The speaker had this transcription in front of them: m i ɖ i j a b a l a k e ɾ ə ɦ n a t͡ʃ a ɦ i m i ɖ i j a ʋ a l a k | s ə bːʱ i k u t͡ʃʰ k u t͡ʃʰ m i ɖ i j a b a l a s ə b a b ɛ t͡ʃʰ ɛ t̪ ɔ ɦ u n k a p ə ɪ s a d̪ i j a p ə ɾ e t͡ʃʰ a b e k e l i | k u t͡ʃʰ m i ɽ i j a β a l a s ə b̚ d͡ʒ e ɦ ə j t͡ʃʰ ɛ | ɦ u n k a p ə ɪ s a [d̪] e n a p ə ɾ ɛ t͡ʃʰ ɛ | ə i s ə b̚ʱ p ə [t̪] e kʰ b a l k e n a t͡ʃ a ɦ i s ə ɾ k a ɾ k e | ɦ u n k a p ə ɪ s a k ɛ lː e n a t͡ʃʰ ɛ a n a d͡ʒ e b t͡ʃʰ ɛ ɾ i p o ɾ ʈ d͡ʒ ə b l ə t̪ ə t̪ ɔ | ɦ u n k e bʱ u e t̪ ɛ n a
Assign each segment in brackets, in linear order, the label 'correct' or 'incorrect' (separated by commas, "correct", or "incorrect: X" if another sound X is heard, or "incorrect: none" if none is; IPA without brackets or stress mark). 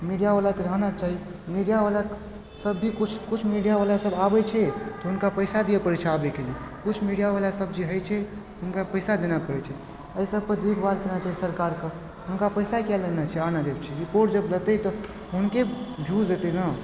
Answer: correct, incorrect: d̪